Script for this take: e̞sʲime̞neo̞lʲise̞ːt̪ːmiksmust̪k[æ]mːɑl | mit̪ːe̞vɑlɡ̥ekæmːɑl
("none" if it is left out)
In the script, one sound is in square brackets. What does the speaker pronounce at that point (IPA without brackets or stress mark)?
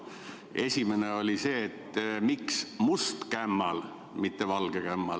æ